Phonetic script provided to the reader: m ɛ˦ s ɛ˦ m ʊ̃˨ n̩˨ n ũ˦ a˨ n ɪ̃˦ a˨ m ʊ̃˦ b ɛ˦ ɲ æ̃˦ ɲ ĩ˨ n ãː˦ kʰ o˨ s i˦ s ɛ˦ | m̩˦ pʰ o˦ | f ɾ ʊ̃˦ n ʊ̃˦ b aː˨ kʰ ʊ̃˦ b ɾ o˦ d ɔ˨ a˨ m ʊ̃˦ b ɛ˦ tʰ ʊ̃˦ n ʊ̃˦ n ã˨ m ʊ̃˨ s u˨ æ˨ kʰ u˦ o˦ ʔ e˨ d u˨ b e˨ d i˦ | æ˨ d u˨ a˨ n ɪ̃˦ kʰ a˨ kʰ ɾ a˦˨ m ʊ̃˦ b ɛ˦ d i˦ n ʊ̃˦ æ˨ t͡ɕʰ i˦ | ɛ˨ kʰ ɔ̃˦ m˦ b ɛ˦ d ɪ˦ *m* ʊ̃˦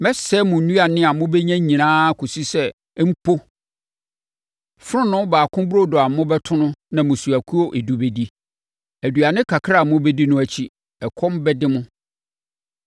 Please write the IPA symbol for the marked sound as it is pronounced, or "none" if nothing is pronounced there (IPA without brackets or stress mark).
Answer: m